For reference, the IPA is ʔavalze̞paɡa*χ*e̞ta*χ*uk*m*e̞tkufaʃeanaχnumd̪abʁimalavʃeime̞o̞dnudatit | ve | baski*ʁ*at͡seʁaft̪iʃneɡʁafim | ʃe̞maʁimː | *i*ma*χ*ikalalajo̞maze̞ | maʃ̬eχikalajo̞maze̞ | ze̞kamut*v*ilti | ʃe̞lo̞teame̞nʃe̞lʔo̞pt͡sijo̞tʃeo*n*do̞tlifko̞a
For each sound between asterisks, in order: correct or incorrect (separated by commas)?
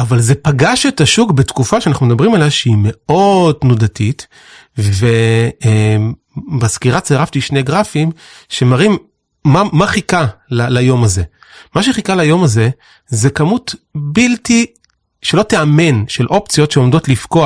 incorrect, incorrect, incorrect, correct, incorrect, correct, incorrect, incorrect